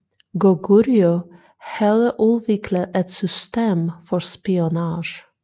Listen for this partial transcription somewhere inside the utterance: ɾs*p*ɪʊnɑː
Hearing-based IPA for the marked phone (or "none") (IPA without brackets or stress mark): p